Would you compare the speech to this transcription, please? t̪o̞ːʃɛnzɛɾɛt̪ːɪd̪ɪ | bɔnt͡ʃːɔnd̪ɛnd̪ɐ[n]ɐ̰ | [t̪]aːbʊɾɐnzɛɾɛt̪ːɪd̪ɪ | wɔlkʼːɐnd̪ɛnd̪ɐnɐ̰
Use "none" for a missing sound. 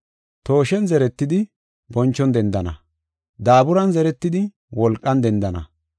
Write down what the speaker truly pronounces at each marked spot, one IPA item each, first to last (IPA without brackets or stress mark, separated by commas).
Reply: n, d̪